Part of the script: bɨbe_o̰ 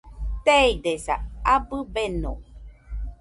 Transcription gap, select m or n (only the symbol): n